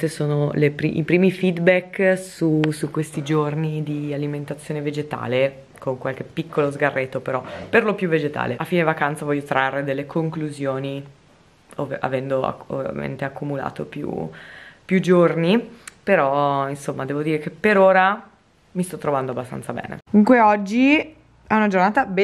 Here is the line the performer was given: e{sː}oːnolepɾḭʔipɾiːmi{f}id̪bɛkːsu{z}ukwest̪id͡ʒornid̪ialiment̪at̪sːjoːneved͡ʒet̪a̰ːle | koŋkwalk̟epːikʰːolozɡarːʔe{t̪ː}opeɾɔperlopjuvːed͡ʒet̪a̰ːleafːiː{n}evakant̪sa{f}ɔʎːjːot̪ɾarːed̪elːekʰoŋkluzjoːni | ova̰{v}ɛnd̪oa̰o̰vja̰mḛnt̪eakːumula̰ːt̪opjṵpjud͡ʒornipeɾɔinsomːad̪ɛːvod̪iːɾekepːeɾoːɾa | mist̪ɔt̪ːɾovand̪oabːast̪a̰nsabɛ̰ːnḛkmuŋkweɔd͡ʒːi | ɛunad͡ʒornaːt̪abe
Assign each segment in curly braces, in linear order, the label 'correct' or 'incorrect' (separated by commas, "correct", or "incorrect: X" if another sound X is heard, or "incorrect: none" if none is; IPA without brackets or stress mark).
incorrect: s, correct, incorrect: s, correct, correct, incorrect: v, correct